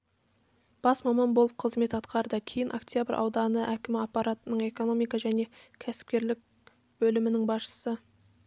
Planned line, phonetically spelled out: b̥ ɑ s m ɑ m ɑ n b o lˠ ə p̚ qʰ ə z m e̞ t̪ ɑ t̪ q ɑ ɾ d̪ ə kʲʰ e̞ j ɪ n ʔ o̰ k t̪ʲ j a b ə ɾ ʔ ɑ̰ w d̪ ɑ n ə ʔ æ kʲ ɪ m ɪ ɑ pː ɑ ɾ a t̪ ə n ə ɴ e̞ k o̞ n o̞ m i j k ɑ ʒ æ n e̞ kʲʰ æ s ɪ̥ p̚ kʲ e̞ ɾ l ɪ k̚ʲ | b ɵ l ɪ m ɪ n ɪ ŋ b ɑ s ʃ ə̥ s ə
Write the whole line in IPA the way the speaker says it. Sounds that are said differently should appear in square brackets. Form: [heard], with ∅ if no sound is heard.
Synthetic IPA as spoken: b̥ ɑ s m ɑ m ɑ n b o lˠ ə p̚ qʰ ə z m e̞ t̪ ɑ t̪ q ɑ ɾ d̪ ə kʲʰ e̞ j ɪ n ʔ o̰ k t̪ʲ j a b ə ɾ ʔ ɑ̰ w d̪ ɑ n ə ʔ æ kʲ ɪ m ɪ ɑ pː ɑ ɾ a t̪ ə n ə ɴ e̞ k o̞ n o̞ m i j k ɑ ʒ æ n e̞ kʲʰ æ s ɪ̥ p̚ kʲ e̞ ɾ l ɪ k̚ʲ | b ɵ l ɪ m ɪ n ɪ ŋ b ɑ s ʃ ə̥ s ə